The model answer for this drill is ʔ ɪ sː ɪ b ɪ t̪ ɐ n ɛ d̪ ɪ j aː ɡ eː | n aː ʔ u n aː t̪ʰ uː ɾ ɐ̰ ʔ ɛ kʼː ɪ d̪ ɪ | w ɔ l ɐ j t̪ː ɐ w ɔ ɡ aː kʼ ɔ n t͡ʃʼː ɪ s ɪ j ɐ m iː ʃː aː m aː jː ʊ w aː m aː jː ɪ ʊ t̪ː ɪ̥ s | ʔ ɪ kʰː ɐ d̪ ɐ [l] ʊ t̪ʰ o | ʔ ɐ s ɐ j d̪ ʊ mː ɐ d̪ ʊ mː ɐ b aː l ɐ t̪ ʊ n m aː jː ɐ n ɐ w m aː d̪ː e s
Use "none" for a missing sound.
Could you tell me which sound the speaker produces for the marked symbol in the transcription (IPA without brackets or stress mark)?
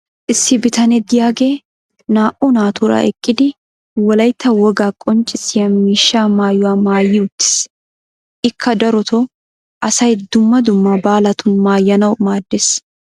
ɾ